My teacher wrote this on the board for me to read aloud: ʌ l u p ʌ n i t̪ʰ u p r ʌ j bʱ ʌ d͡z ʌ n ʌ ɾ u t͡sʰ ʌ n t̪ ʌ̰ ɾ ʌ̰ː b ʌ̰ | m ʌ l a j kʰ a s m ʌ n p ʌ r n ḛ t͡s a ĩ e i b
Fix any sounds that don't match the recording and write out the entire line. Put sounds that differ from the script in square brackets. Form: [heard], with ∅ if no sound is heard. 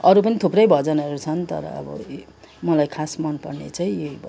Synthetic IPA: ʌ [ɾ] u p ʌ n i t̪ʰ u p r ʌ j bʱ ʌ d͡z ʌ n ʌ ɾ u t͡sʰ ʌ n t̪ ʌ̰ ɾ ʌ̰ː b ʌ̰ | m ʌ l a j kʰ a s m ʌ n p ʌ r n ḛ t͡s a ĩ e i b